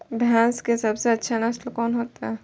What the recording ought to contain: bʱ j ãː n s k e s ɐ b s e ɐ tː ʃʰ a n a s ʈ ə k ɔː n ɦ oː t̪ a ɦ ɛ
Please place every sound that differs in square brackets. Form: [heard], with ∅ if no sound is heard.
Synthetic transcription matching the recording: bʱ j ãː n s k e s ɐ b s e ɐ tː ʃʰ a n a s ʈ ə k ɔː n ɦ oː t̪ a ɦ ɛ